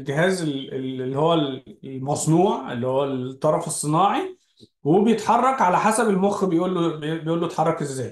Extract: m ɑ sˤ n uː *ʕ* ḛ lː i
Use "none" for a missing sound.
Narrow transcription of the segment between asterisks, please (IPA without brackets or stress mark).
ʕ